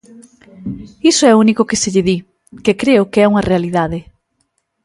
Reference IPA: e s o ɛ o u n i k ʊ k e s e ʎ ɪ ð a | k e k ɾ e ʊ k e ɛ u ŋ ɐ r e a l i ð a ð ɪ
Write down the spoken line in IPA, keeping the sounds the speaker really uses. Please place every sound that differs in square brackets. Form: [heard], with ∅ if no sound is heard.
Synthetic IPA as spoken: [i] s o ɛ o u n i k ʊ k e s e ʎ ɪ ð [i] | k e k ɾ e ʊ k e ɛ u ŋ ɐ r e a l i ð a ð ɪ